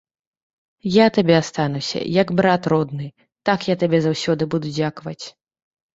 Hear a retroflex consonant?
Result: no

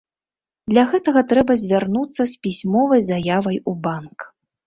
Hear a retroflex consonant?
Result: no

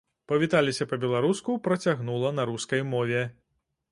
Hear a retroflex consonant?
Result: no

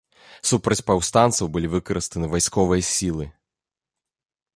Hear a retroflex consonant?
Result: no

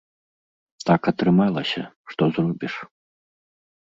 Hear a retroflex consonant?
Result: yes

